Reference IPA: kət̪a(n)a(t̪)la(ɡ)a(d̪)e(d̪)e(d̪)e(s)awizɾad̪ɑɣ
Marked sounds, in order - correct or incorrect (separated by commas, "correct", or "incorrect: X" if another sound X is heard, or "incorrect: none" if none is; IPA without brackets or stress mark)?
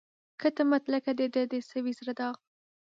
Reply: incorrect: m, correct, incorrect: k, correct, correct, correct, correct